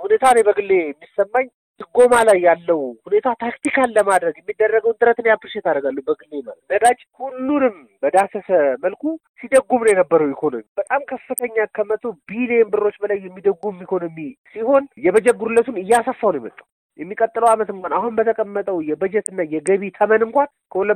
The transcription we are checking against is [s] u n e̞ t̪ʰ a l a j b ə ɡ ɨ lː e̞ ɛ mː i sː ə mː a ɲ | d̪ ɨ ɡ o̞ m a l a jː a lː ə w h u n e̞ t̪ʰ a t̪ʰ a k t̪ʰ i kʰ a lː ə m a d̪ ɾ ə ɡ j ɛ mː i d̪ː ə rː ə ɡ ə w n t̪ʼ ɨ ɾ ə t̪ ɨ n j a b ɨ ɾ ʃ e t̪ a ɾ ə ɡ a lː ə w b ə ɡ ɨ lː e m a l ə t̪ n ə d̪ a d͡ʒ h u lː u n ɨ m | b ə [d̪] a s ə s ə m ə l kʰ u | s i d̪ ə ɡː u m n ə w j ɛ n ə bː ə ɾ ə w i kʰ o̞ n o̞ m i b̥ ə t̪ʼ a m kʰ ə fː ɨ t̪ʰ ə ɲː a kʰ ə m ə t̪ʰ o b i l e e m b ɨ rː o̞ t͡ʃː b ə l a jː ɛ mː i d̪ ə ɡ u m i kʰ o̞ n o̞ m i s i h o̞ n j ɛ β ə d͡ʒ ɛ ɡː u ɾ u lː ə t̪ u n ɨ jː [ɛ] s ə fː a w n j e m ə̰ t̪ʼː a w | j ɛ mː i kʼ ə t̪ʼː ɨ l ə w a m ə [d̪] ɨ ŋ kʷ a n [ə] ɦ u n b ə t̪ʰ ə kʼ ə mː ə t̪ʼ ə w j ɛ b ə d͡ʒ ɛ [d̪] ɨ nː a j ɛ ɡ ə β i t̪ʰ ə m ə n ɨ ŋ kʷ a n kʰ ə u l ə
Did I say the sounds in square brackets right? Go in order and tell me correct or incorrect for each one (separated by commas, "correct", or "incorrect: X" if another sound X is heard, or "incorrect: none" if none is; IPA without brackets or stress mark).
incorrect: h, correct, incorrect: a, incorrect: t̪, incorrect: a, incorrect: t̪